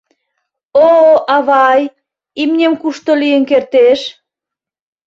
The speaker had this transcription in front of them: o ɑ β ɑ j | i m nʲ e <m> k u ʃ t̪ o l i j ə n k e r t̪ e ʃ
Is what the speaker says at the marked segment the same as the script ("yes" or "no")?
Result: yes